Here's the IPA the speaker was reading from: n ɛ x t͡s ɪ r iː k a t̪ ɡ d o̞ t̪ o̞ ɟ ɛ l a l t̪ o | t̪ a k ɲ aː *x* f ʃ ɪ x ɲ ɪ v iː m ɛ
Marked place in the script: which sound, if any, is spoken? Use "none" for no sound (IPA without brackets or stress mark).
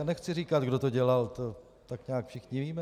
k